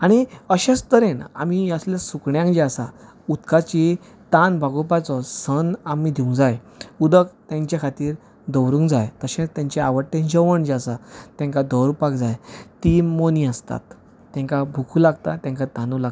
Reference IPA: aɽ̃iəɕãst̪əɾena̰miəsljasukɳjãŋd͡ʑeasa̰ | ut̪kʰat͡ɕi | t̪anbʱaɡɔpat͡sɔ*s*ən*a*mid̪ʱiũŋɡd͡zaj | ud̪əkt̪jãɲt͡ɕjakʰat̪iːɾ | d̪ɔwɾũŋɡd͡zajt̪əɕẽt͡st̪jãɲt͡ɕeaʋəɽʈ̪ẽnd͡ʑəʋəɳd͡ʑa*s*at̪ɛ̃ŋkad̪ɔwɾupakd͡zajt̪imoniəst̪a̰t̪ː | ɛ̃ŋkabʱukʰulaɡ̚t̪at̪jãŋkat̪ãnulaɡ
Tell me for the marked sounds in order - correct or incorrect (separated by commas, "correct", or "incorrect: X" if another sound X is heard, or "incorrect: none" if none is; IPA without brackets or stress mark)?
correct, correct, correct